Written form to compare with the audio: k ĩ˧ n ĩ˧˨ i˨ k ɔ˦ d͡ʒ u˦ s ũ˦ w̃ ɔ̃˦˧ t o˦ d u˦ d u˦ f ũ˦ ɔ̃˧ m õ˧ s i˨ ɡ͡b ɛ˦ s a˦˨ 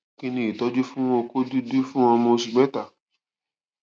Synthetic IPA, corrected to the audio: k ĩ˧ n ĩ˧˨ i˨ t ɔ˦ d͡ʒ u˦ f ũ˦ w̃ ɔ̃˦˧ k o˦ d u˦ d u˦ f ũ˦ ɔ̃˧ m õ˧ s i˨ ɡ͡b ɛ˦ t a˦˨